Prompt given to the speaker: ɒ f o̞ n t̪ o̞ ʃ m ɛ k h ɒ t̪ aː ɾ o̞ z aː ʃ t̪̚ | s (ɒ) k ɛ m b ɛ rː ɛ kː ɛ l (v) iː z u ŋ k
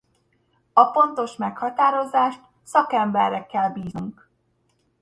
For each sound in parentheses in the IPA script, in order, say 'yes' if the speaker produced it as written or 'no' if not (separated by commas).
yes, no